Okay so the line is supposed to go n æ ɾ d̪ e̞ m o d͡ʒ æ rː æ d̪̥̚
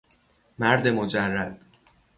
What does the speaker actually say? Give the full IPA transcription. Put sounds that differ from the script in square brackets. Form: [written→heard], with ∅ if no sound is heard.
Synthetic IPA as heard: [n→m] æ ɾ d̪ e̞ m o d͡ʒ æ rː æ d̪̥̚